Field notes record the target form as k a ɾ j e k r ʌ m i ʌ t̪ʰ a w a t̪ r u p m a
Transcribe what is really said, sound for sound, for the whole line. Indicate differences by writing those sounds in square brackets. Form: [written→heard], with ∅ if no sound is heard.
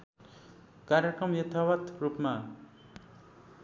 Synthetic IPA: k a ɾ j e k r ʌ m [i→j] ʌ t̪ʰ a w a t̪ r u p m a